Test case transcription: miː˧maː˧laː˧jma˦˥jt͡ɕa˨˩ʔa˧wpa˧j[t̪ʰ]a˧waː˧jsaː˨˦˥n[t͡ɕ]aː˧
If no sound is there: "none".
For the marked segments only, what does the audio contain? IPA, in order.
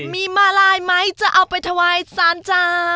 t̪ʰ, t͡ɕ

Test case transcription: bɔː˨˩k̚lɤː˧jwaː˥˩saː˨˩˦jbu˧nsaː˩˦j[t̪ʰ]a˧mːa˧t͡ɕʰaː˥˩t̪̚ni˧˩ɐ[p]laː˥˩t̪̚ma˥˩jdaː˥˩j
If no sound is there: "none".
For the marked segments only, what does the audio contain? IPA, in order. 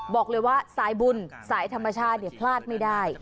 t̪ʰ, pʰ

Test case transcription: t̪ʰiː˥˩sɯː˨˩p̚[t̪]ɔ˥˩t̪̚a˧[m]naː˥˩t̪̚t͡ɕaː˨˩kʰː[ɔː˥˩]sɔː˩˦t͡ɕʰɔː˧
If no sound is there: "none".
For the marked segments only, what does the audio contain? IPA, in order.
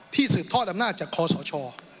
t̪ʰ, m, ɔː˧

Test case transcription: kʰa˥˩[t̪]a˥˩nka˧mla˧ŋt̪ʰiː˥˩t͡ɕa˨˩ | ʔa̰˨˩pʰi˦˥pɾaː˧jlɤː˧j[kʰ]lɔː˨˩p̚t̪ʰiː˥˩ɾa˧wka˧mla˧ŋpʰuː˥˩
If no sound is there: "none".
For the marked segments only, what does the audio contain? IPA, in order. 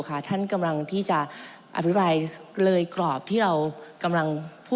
t̪ʰ, k

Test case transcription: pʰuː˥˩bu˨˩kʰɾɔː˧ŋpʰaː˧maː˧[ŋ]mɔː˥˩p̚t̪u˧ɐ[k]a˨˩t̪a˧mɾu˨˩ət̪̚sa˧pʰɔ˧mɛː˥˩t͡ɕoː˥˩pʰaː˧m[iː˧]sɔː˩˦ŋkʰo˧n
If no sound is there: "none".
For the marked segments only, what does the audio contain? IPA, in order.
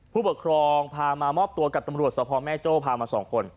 none, k, aː˧

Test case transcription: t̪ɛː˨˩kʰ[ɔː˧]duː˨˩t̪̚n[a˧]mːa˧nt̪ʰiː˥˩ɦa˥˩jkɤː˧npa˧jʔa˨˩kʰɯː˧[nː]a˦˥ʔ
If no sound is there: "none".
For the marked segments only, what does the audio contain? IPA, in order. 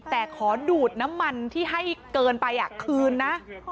ɔː˩˦, a˦˥, nː

